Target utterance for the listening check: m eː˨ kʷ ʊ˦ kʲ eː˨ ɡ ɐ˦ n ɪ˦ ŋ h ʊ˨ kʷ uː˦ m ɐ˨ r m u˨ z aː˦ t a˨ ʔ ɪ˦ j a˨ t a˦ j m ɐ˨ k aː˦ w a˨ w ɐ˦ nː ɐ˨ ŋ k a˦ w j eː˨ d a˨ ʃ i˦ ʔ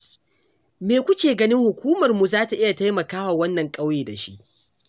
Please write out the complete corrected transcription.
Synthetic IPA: m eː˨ kʷ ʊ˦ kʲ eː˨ ɡ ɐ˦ n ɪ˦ ŋ h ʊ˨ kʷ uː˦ m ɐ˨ r m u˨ z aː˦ t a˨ ʔ ɪ˦ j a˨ t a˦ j m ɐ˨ k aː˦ w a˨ w ɐ˦ nː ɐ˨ ŋ kʼ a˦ w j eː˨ d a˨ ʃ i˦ ʔ

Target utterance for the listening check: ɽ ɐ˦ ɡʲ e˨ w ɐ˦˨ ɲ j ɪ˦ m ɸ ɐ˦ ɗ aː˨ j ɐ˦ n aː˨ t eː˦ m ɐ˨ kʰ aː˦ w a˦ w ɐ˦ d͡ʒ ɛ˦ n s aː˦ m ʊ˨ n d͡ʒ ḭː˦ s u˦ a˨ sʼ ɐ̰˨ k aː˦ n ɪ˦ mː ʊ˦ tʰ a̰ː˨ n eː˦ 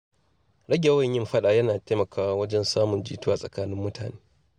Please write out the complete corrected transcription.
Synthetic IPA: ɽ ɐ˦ ɡʲ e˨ w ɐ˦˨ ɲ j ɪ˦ m ɸ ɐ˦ ɗ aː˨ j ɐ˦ n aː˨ t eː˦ m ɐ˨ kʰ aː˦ w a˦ w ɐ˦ d͡ʒ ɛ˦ n s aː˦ m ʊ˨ n d͡ʒ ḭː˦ t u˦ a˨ sʼ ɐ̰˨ k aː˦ n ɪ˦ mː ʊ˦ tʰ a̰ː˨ n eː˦

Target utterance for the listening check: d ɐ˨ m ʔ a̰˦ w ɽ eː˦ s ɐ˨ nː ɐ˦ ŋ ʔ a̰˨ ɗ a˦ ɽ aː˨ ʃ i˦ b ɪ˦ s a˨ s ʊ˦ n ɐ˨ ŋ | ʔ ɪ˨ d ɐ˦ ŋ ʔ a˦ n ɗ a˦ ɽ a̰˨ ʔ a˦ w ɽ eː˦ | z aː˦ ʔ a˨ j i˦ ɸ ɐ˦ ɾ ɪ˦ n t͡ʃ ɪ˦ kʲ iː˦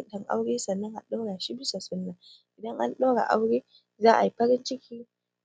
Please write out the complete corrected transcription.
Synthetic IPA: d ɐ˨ ŋ ʔ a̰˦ w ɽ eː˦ s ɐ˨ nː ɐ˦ ŋ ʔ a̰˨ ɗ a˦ ɽ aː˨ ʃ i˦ b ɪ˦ s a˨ s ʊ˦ nː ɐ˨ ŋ | ʔ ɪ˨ d ɐ˦ ŋ ʔ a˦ n ɗ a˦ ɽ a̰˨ ʔ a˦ w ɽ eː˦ | z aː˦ ʔ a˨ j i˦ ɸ ɐ˦ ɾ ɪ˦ n t͡ʃ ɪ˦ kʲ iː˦

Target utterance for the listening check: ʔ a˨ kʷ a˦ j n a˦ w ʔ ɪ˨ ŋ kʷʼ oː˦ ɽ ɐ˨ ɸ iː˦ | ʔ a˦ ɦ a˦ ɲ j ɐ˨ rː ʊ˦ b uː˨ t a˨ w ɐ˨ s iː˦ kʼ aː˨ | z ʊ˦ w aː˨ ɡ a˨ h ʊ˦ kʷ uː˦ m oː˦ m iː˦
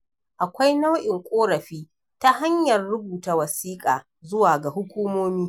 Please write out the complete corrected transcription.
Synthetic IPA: ʔ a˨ kʷ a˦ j n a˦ w ʔ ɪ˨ ŋ kʷʼ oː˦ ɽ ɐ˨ ɸ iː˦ | t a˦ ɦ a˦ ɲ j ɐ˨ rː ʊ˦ b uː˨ t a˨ w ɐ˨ s iː˦ kʼ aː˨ | z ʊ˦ w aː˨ ɡ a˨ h ʊ˦ kʷ uː˦ m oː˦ m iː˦

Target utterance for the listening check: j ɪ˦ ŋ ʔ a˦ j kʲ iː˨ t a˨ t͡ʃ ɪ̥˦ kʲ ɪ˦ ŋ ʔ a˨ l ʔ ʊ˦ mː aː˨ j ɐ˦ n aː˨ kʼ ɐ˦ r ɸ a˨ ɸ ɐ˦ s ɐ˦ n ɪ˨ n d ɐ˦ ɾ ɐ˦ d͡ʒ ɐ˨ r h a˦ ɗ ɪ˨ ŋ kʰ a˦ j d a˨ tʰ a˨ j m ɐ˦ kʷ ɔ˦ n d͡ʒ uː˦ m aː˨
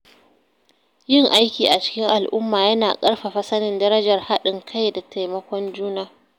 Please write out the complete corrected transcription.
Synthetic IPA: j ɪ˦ ŋ ʔ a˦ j kʲ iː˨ ʔ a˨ t͡ʃ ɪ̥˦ kʲ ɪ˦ ŋ ʔ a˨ l ʔ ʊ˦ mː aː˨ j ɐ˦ n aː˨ kʼ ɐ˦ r ɸ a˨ ɸ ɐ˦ s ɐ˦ n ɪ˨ n d ɐ˦ ɾ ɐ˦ d͡ʒ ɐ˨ r h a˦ ɗ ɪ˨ ŋ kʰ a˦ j d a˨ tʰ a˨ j m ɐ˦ kʷ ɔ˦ n d͡ʒ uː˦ n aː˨

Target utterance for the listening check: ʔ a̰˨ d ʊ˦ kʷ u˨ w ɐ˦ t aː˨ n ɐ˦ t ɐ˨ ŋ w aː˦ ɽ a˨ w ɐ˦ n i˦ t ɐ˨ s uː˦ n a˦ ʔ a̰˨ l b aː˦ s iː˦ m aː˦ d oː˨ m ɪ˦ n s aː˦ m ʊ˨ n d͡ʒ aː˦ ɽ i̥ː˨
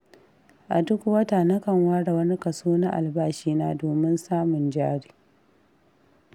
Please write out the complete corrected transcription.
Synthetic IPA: ʔ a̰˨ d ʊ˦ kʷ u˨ w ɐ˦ t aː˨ n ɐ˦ k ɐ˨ ŋ w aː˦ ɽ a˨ w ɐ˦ n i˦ k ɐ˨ s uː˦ n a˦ ʔ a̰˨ l b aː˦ ʃ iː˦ n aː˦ d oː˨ m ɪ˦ n s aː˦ m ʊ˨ n d͡ʒ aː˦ ɽ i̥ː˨

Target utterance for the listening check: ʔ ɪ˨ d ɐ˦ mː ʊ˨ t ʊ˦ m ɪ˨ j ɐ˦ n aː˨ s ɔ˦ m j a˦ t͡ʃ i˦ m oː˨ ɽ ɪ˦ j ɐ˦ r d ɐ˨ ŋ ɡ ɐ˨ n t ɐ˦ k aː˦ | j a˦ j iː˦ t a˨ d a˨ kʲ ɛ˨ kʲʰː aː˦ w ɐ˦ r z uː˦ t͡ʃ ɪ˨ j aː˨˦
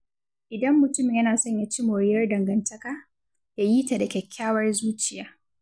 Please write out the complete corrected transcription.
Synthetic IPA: ʔ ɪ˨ d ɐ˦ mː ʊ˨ t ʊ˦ m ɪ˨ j ɐ˦ n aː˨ s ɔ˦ ɲ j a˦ t͡ʃ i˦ m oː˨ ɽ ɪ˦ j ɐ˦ r d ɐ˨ ŋ ɡ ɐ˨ n t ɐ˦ k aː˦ | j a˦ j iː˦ t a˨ d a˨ kʲ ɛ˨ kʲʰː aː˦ w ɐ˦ r z uː˦ t͡ʃ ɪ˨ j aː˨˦

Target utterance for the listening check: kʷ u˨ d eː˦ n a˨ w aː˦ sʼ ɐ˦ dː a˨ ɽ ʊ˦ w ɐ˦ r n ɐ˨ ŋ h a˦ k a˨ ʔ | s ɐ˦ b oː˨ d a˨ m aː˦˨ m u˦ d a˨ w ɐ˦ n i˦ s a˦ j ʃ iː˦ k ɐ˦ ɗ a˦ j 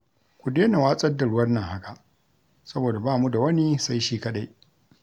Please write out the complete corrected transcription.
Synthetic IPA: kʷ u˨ d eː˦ n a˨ w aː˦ sʼ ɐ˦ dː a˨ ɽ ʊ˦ w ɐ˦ r n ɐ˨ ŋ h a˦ k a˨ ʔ | s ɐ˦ b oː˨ d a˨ b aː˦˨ m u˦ d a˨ w ɐ˦ n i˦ s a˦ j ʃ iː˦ k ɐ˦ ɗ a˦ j

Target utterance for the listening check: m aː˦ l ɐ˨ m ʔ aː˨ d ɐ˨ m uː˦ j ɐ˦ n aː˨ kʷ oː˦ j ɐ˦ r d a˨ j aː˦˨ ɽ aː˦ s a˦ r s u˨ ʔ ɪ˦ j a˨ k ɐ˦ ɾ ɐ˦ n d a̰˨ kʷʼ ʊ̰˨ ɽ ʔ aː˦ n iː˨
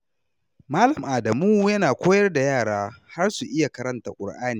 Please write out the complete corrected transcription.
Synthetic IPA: m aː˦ l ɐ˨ m ʔ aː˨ d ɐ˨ m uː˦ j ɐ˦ n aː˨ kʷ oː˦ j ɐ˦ r d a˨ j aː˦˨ ɽ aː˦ h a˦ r s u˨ ʔ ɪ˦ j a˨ k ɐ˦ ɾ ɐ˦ n t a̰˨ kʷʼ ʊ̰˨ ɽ ʔ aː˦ n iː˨

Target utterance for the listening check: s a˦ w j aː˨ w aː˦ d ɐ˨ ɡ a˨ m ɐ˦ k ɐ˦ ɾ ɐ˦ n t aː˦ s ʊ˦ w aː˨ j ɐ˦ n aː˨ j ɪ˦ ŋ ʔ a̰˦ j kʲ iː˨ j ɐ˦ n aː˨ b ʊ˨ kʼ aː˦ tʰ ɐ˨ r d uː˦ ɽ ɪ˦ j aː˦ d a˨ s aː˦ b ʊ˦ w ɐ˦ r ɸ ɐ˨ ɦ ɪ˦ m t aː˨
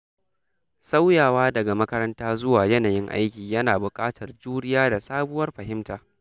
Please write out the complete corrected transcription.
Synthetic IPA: s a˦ w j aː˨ w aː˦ d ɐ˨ ɡ a˨ m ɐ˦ k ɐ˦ ɾ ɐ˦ n t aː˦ z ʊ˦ w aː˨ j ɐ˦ n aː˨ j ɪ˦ ŋ ʔ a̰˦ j kʲ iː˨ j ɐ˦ n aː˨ b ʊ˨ kʼ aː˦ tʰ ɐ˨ r d͡ʒ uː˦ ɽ ɪ˦ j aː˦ d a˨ s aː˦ b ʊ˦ w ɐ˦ r ɸ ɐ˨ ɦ ɪ˦ m t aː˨

